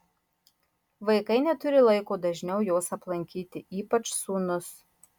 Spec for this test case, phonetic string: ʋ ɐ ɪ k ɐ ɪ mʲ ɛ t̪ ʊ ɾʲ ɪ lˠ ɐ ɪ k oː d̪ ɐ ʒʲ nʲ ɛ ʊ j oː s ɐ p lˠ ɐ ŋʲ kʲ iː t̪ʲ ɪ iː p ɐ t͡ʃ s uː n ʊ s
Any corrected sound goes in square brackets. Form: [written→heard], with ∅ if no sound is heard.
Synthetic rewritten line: ʋ ɐ ɪ k ɐ ɪ [mʲ→nʲ] ɛ t̪ ʊ ɾʲ ɪ lˠ ɐ ɪ k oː d̪ ɐ ʒʲ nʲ ɛ ʊ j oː s ɐ p lˠ ɐ ŋʲ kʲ iː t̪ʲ ɪ iː p ɐ t͡ʃ s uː n ʊ s